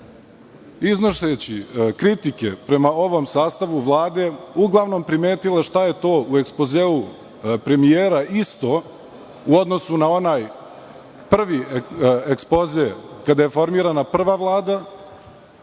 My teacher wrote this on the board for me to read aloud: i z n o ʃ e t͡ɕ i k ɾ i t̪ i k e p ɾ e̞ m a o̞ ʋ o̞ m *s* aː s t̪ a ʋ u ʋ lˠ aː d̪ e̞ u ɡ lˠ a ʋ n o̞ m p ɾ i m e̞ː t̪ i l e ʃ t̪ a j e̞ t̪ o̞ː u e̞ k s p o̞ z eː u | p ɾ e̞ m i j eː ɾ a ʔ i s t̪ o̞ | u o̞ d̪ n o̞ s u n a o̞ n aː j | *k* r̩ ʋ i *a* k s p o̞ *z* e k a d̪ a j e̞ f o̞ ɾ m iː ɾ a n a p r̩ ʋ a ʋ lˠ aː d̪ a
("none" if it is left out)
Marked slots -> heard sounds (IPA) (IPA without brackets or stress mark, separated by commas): s, p, e, z